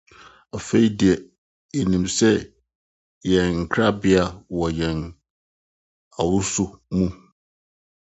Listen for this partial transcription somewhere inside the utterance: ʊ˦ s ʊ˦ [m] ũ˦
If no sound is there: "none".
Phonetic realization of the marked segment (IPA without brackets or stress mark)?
m